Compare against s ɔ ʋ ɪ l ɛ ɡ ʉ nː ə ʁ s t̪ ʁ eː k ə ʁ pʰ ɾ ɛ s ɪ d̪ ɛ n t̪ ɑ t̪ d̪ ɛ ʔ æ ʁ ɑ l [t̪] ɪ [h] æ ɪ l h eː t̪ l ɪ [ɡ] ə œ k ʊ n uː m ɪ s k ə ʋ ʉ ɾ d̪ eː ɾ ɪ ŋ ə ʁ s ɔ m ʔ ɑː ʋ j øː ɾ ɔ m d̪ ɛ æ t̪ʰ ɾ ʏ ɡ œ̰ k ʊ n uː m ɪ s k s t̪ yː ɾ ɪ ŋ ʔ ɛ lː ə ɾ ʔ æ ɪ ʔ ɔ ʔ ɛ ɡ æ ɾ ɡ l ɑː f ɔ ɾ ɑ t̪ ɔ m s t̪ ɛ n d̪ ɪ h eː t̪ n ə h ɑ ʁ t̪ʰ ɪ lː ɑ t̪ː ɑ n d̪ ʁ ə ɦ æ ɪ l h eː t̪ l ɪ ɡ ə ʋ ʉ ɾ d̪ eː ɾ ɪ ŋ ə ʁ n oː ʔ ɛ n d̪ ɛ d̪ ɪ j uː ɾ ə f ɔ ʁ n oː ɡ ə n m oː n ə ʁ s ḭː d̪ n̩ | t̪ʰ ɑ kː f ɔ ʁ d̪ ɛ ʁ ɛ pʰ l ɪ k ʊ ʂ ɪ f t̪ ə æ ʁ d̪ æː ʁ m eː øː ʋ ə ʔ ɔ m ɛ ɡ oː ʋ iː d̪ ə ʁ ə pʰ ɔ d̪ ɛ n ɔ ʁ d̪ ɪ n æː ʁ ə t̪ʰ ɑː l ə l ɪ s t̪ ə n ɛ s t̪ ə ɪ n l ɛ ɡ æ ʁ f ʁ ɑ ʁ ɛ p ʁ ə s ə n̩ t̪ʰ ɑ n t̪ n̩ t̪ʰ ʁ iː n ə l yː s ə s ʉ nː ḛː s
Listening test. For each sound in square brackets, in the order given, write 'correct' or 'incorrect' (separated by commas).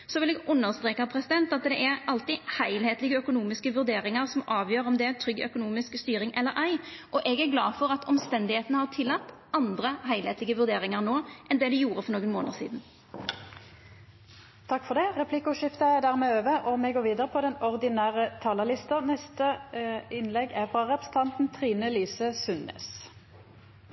correct, correct, correct